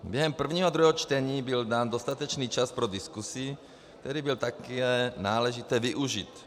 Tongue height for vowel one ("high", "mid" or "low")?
mid